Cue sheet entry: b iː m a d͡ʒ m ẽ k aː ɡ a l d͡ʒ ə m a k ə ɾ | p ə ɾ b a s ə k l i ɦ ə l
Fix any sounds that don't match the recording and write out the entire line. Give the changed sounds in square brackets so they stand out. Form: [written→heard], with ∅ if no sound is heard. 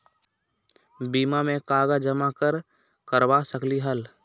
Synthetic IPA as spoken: b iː m a [d͡ʒ→∅] m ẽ k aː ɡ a [l→∅] d͡ʒ ə m a k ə ɾ | [p→k] ə ɾ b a s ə k l i ɦ ə l